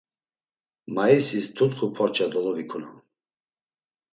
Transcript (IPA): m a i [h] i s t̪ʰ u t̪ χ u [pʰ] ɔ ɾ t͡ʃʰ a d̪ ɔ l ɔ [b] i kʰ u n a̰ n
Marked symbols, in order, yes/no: no, yes, no

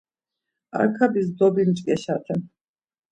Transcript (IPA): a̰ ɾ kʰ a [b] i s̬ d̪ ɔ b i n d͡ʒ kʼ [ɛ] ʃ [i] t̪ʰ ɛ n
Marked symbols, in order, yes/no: yes, yes, no

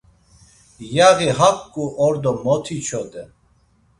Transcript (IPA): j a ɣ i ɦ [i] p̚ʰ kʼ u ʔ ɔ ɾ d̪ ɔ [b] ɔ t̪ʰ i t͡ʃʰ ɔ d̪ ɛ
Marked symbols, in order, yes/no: no, no

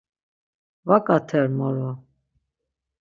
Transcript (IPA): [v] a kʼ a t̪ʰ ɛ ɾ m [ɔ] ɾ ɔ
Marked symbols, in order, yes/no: yes, yes

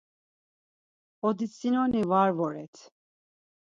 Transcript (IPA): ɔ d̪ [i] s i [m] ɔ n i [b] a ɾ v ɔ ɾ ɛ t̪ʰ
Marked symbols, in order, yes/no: yes, no, no

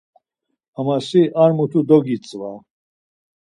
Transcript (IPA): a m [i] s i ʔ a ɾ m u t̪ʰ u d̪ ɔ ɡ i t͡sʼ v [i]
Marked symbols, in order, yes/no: no, no

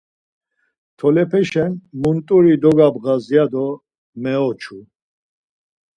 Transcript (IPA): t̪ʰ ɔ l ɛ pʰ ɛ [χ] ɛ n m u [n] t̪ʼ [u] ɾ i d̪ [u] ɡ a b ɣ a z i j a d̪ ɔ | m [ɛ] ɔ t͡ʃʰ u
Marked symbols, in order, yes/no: no, yes, yes, no, yes

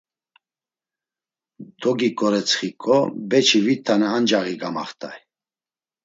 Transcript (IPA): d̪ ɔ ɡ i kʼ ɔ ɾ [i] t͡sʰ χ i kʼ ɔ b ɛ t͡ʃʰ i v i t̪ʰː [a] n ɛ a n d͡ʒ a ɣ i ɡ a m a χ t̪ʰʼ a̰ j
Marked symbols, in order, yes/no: no, yes

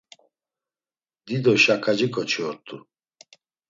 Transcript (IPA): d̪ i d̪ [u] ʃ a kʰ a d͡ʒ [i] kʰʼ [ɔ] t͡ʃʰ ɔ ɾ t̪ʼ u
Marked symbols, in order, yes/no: no, yes, yes

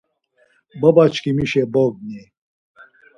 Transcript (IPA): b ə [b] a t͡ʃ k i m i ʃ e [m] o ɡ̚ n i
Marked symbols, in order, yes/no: yes, no

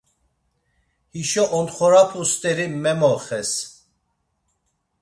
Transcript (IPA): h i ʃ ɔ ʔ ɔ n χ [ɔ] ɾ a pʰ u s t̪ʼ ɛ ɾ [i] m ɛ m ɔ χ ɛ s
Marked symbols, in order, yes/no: yes, yes

